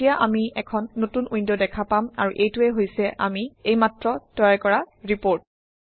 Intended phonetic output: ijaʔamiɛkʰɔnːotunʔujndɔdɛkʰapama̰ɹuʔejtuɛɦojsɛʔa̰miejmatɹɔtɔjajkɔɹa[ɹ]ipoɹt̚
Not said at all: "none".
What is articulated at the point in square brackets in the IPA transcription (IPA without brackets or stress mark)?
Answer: ɹ